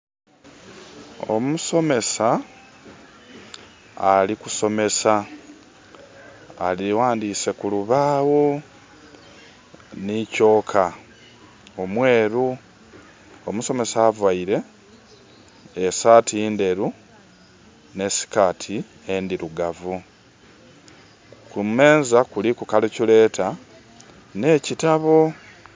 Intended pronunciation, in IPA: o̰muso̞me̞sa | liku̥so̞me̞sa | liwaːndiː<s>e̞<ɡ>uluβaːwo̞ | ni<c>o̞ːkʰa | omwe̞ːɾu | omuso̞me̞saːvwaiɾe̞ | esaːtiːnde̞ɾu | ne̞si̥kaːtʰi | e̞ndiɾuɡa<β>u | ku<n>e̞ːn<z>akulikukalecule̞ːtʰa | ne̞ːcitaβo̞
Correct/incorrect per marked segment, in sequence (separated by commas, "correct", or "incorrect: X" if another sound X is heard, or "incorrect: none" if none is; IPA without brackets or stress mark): correct, incorrect: k, correct, incorrect: v, incorrect: m, correct